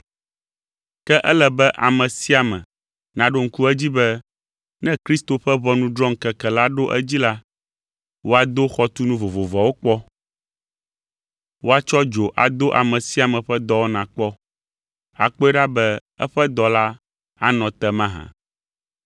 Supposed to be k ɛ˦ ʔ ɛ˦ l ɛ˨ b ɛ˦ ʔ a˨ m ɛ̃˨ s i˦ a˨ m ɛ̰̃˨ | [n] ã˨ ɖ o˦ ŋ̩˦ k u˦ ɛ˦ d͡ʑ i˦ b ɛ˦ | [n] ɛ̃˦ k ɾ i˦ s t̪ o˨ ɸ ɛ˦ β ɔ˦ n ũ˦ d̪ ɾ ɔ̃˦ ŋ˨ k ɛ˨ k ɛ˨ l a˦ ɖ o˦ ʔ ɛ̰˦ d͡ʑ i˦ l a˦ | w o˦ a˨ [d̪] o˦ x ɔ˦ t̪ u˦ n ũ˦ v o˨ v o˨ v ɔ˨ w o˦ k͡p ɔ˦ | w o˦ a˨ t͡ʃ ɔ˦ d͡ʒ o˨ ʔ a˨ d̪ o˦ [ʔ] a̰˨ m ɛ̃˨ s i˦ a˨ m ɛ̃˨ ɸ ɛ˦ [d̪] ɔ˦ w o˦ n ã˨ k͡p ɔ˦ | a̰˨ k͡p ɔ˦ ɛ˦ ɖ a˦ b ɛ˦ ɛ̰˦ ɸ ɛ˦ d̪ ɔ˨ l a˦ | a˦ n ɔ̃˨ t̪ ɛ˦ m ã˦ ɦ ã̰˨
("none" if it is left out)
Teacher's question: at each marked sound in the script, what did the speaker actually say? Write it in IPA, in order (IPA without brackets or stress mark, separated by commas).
n, n, d̪, ʔ, d̪